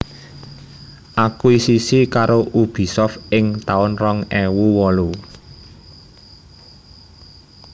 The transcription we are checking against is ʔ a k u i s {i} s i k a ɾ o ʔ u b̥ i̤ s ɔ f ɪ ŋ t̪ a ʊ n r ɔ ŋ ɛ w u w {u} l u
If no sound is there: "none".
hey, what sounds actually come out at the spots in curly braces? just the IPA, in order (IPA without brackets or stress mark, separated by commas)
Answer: i, ɔ